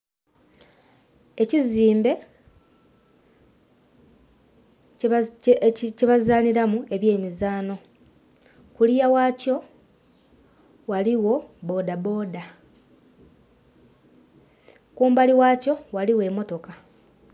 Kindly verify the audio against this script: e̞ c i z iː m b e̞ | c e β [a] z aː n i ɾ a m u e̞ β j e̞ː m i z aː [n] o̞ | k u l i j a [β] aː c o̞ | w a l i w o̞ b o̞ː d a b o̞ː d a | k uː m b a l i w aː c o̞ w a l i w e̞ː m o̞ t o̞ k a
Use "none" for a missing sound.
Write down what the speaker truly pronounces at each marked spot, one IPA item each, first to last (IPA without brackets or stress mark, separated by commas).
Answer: a, n, w